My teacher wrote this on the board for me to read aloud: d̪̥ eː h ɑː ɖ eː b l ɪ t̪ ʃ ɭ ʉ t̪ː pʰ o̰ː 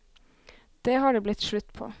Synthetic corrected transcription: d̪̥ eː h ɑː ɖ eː b l ɪ t̪ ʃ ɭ ʉ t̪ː pʰ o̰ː